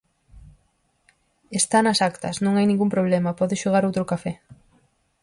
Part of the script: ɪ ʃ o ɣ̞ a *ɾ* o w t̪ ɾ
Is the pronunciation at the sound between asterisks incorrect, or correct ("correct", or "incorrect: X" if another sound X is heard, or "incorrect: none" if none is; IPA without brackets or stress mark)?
correct